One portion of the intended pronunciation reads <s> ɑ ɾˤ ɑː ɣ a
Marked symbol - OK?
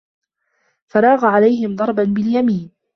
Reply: no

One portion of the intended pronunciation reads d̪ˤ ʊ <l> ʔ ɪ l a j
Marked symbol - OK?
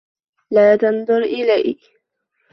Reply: no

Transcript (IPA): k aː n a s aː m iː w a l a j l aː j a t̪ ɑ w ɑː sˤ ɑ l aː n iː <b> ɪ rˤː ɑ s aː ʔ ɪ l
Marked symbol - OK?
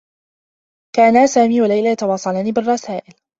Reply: yes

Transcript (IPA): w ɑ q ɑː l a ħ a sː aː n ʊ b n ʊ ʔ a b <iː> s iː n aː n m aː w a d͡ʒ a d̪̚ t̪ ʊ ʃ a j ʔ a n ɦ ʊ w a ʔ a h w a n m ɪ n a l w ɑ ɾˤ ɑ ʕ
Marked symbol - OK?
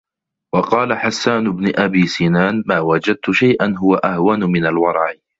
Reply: yes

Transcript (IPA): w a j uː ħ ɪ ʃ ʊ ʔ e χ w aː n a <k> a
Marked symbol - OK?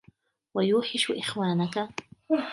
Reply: yes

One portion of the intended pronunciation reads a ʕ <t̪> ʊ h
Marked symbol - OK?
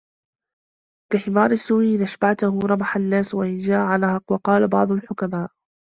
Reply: yes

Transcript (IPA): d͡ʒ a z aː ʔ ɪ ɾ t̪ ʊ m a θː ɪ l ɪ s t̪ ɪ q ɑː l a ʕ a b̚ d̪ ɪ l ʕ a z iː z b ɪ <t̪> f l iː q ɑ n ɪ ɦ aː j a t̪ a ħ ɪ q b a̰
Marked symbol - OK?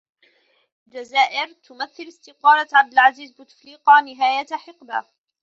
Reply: yes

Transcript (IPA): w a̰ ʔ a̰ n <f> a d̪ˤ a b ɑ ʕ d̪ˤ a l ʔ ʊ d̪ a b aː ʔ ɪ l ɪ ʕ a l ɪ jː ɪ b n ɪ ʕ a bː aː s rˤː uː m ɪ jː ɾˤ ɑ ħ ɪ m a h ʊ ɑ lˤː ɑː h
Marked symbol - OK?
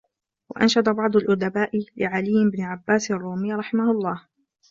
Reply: no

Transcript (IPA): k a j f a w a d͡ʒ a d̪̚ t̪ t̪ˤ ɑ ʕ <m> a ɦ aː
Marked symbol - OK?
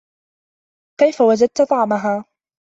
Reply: yes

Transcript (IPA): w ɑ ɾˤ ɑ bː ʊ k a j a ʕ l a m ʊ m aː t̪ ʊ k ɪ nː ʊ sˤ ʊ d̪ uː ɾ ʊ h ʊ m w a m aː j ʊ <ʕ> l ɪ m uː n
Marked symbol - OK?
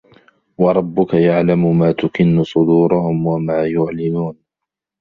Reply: yes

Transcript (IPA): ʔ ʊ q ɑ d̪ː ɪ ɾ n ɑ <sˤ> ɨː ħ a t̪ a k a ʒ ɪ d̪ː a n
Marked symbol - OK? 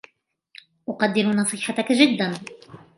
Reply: yes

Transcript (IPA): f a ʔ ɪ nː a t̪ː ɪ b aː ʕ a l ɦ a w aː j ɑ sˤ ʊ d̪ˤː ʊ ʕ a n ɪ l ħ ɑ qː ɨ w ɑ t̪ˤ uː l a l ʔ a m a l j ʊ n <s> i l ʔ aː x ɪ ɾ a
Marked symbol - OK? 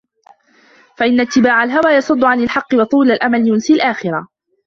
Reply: yes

